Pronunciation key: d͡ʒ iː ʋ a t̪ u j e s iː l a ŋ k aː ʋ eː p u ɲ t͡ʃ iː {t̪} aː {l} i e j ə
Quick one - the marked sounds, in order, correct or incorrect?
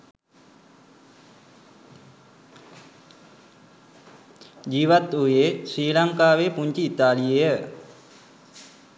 correct, correct

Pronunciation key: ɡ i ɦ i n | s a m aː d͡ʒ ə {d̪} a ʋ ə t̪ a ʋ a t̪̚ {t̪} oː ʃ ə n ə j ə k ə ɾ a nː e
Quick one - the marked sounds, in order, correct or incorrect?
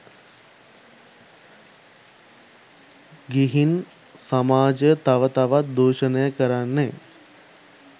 incorrect, incorrect

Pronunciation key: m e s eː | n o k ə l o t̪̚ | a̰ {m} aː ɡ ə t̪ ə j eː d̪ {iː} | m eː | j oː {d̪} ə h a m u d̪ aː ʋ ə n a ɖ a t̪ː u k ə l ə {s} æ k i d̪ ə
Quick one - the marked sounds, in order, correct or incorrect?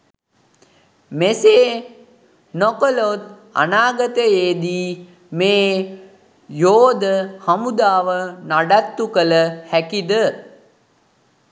incorrect, correct, correct, incorrect

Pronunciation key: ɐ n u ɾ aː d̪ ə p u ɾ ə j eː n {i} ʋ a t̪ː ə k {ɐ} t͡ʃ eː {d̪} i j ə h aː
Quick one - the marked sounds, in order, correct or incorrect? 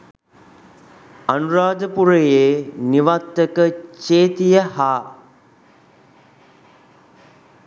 correct, incorrect, incorrect

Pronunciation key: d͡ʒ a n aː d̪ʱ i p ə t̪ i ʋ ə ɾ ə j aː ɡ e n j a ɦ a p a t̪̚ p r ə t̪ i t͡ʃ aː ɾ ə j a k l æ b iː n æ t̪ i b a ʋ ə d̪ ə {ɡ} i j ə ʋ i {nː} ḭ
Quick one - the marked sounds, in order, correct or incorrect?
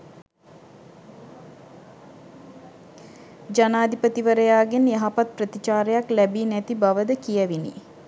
incorrect, incorrect

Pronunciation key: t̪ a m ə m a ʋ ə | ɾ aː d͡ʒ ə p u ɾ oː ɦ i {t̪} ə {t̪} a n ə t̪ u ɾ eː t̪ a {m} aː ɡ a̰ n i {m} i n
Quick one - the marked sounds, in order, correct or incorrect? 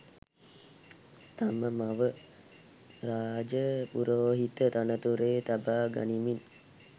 correct, correct, incorrect, correct

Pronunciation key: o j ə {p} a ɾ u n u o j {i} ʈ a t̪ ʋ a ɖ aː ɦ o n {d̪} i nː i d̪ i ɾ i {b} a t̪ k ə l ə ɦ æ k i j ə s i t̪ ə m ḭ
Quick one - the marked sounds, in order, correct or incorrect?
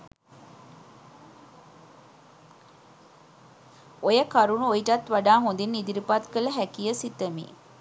incorrect, correct, correct, incorrect

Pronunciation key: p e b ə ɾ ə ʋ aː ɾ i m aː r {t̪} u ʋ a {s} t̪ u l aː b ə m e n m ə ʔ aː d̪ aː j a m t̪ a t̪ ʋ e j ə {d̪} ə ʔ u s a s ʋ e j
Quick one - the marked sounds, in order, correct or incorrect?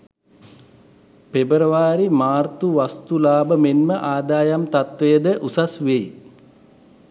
correct, correct, correct

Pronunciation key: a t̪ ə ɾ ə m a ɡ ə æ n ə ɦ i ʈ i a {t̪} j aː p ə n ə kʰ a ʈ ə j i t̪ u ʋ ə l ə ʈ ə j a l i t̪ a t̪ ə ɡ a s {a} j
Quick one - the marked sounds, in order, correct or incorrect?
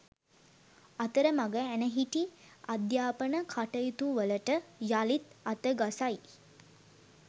incorrect, correct

